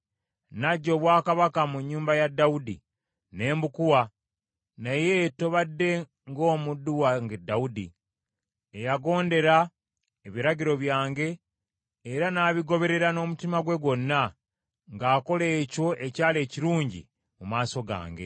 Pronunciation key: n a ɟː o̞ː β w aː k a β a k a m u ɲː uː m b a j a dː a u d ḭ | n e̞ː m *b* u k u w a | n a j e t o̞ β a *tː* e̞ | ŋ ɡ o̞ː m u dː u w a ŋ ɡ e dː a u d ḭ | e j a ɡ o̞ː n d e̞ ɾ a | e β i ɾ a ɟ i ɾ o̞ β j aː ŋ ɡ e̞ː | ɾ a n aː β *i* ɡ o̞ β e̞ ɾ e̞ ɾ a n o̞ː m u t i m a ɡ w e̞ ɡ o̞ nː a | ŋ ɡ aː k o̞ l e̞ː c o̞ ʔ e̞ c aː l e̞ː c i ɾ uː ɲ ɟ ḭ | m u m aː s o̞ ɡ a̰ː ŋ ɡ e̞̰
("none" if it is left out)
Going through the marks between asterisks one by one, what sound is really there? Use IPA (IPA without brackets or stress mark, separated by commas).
b, dː, i